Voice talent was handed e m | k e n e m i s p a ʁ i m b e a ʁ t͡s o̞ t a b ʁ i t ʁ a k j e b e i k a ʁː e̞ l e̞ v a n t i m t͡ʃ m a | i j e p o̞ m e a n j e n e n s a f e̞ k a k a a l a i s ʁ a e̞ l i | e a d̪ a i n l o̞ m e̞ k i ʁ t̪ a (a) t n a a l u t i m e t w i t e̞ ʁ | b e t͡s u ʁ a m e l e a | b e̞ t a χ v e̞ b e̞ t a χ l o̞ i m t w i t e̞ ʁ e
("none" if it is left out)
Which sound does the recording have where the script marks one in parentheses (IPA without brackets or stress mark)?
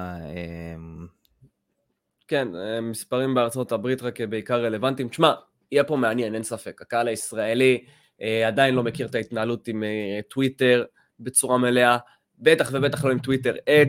i